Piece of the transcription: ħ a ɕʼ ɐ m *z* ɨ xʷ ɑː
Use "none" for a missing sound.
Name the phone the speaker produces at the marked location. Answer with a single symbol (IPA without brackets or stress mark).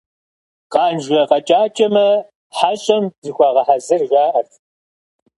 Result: z